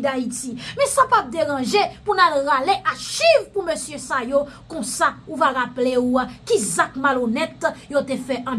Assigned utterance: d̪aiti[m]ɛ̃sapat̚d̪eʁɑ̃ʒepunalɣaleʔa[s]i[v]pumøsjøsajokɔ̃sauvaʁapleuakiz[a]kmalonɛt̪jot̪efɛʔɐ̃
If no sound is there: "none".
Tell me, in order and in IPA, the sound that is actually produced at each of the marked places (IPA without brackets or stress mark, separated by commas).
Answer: m, ʃ, v, a